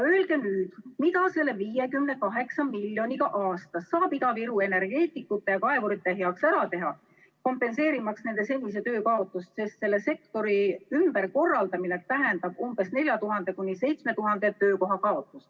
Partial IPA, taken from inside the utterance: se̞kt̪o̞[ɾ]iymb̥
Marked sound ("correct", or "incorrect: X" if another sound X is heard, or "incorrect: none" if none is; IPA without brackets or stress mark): correct